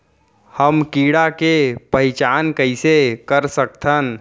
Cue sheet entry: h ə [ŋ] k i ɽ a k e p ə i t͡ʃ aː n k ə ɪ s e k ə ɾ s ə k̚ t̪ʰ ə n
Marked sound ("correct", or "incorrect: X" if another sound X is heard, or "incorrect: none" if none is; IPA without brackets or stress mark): incorrect: m